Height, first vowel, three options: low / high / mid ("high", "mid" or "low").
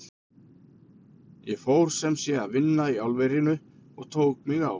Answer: mid